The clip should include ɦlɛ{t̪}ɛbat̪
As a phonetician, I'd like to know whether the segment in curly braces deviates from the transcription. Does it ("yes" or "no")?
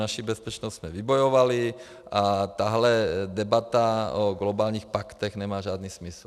yes